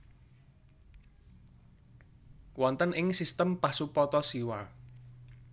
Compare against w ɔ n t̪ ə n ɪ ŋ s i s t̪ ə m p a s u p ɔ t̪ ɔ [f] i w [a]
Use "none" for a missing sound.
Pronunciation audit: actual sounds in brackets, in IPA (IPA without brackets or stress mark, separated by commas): s, a